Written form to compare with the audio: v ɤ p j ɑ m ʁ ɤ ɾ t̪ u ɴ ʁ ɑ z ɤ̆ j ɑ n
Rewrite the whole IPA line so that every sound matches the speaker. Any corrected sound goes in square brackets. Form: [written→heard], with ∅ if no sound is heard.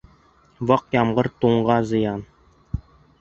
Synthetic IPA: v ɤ [p→q] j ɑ m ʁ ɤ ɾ t̪ u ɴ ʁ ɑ z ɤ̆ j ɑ n

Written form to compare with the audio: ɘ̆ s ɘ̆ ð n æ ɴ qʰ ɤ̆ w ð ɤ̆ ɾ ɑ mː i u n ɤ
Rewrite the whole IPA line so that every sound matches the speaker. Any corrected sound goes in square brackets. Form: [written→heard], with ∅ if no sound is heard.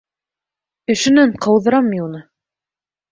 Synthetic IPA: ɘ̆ [s→ʃ] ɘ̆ [ð→∅] n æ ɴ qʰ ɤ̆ w ð ɤ̆ ɾ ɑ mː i u n ɤ

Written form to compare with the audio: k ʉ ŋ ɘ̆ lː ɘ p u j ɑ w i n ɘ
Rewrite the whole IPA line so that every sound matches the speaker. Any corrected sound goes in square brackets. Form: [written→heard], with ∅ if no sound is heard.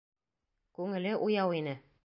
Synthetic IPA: k ʉ ŋ ɘ̆ [lː→l] ɘ [p→ʔ] u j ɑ w i n ɘ

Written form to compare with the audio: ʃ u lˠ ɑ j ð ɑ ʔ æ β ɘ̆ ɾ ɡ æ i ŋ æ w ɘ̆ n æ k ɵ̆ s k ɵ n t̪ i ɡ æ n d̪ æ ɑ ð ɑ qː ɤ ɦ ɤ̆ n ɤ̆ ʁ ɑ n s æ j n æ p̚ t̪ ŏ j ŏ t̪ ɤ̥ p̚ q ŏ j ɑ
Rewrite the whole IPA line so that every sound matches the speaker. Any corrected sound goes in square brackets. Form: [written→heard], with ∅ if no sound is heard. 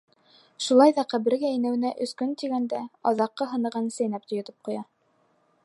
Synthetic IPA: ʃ u lˠ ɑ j ð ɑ [ʔ→q] æ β ɘ̆ ɾ ɡ æ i [ŋ→n] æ w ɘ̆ n æ [k→ʔ] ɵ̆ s k ɵ n t̪ i ɡ æ n d̪ æ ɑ ð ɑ qː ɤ ɦ ɤ̆ n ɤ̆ ʁ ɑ n s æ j n æ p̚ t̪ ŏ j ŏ t̪ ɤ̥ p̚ q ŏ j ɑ

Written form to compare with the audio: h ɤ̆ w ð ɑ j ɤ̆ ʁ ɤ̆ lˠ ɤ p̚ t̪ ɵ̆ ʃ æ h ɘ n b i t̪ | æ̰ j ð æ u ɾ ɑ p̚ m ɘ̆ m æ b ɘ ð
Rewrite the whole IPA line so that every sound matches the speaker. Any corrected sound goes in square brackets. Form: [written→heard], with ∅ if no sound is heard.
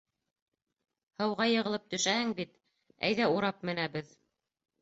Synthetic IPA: h ɤ̆ w [ð→ʁ] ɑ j ɤ̆ ʁ ɤ̆ lˠ ɤ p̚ t̪ ɵ̆ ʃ æ h ɘ [n→ŋ] b i t̪ | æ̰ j ð æ u ɾ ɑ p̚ m ɘ̆ [m→n] æ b ɘ ð

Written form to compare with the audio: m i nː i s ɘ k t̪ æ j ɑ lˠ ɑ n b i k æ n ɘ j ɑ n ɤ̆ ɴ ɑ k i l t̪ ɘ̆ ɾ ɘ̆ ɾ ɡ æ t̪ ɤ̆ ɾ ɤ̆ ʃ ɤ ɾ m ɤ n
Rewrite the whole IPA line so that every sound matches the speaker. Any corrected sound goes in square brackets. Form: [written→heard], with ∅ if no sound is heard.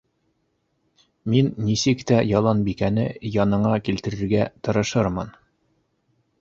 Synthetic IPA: m i nː i s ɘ k t̪ æ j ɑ lˠ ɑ n b i k æ n ɘ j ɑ n ɤ̆ ɴ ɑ k i l t̪ ɘ̆ ɾ ɘ̆ ɾ ɡ æ t̪ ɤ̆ ɾ ɤ̆ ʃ ɤ ɾ m ɤ n

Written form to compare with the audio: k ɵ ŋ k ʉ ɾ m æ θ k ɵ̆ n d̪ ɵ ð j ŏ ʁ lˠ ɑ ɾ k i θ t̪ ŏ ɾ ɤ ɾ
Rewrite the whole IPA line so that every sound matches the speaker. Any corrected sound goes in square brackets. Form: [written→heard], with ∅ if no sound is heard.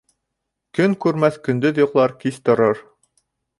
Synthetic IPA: k ɵ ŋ k ʉ ɾ m æ θ k ɵ̆ n d̪ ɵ ð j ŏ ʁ lˠ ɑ ɾ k i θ t̪ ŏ ɾ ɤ ɾ

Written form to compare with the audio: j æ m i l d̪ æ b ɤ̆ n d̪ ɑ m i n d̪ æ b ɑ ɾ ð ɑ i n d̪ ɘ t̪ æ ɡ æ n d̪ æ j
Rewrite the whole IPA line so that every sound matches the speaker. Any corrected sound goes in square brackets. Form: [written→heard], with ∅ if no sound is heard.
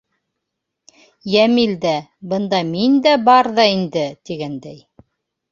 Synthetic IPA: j æ m i l d̪ æ b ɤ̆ n d̪ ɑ m i n d̪ æ b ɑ ɾ ð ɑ i n d̪ ɘ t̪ [æ→i] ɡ æ n d̪ æ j

